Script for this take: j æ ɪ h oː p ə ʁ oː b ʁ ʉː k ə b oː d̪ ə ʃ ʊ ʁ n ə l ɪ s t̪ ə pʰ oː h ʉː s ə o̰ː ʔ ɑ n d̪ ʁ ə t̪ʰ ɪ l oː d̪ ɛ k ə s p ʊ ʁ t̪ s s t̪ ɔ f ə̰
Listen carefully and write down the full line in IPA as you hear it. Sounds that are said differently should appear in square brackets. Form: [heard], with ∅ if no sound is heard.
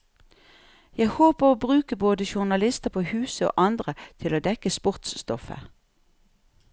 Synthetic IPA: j æ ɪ h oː p ə ʁ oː b ʁ ʉː k ə b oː d̪ ə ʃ ʊ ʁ n [ɑ] l ɪ s t̪ ə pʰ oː h ʉː s ə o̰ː ʔ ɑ n d̪ ʁ ə t̪ʰ ɪ l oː d̪ ɛ k ə s p ʊ ʁ t̪ s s t̪ ɔ f ə̰